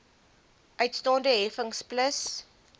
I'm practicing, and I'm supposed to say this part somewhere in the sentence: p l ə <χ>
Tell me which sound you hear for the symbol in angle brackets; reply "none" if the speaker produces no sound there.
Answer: s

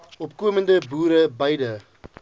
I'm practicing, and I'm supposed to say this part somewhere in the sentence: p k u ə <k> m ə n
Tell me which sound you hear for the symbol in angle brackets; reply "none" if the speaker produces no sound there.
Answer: none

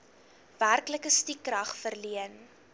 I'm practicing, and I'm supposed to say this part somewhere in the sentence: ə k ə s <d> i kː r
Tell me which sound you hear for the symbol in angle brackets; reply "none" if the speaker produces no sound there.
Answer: t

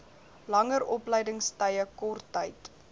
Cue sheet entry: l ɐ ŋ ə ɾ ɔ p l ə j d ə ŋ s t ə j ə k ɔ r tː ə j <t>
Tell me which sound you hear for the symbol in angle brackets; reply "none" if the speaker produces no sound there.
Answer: t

